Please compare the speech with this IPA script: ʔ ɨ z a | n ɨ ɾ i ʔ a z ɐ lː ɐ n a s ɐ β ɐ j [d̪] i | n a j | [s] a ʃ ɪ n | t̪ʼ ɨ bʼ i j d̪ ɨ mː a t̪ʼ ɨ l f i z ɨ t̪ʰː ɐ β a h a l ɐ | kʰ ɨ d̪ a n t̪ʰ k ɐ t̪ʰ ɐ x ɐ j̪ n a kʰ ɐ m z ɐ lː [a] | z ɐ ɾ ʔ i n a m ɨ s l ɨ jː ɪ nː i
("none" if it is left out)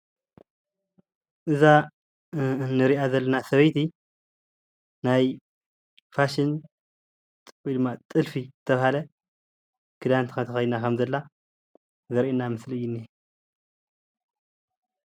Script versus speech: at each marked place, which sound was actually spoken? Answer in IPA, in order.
t̪, f, a

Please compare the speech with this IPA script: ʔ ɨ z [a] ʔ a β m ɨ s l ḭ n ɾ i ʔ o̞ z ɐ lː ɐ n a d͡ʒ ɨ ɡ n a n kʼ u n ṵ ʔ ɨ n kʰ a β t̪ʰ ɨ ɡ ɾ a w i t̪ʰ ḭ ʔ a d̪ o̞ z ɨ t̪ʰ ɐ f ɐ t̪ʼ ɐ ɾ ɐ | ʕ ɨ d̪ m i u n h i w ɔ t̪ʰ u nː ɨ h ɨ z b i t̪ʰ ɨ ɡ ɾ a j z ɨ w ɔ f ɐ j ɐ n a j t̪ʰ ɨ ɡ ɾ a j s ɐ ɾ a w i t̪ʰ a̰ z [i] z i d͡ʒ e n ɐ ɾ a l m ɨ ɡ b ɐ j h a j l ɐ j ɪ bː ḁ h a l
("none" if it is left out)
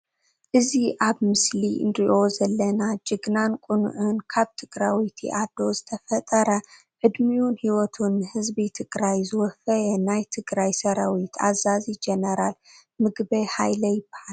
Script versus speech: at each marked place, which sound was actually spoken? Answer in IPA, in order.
i, a

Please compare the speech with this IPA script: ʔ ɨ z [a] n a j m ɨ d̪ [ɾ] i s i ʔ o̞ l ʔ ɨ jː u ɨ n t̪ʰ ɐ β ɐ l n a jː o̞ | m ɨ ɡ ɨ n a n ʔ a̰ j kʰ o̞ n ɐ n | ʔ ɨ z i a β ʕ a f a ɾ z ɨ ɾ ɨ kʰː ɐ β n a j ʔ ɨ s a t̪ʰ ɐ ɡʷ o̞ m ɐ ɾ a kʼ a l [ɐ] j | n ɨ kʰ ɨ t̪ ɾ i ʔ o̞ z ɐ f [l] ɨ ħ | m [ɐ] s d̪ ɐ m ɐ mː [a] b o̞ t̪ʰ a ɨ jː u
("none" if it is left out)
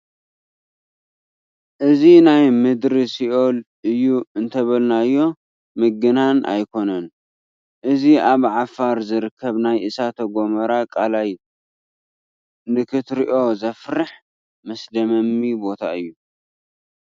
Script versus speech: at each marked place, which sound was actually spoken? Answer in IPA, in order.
i, ɾ, a, ɾ, ɐ, i

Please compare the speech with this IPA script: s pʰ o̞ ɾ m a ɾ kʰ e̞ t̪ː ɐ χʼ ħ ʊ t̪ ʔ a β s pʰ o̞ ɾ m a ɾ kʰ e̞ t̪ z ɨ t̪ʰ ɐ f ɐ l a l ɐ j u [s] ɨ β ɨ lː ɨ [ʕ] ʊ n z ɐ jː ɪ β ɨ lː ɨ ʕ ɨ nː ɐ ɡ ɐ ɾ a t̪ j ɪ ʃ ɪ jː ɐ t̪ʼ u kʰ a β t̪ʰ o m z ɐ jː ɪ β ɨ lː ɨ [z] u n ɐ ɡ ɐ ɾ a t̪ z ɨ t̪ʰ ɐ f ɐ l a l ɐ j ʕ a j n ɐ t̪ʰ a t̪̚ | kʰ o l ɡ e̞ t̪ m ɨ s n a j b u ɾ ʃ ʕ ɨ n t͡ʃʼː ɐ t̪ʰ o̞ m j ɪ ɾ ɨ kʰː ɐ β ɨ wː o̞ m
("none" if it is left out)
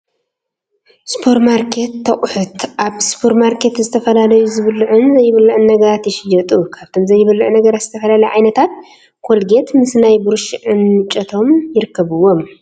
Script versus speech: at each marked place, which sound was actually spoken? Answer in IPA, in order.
z, ʕ, ʕ

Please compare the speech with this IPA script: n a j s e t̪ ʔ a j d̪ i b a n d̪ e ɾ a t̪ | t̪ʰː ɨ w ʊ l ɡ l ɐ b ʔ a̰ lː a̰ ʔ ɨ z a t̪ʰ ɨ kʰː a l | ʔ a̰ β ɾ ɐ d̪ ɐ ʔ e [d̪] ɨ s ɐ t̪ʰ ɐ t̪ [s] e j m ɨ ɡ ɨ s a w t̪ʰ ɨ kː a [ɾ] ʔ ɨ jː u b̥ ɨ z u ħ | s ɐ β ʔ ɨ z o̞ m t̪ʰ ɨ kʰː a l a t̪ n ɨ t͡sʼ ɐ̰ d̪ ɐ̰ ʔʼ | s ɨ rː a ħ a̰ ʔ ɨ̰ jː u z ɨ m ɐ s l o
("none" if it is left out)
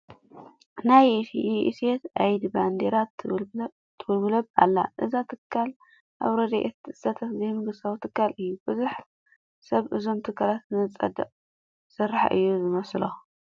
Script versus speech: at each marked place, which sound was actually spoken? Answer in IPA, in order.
t̪, z, l

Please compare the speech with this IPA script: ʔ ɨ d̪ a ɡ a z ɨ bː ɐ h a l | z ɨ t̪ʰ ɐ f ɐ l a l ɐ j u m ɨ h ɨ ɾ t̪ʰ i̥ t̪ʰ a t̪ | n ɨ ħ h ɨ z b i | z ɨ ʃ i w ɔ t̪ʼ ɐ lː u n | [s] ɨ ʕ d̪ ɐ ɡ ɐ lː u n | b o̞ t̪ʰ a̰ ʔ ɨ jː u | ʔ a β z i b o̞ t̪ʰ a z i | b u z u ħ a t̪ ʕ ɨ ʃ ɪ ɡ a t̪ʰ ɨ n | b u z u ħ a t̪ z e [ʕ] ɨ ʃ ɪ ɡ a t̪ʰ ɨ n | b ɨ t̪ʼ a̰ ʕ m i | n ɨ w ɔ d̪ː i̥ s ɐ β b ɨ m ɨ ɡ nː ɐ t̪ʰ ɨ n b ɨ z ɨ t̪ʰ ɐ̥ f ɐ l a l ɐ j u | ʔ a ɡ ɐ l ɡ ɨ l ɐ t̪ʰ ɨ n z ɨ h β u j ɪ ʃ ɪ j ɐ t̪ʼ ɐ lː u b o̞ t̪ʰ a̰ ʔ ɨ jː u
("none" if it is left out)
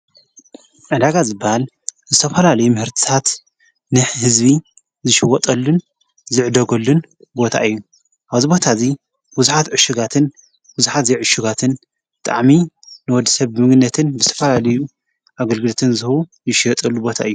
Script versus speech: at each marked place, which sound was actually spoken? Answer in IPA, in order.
z, ʕ

